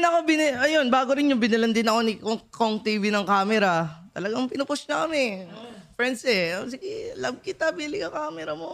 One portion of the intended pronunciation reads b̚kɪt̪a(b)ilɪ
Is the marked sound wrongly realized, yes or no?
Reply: no